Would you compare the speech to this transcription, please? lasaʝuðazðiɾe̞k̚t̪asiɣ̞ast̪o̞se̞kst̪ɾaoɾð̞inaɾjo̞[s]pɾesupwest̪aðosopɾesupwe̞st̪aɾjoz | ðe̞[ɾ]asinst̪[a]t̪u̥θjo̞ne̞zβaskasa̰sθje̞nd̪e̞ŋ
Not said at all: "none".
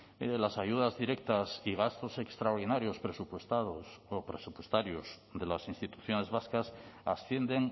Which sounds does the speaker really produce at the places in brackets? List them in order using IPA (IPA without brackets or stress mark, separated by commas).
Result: s, l, i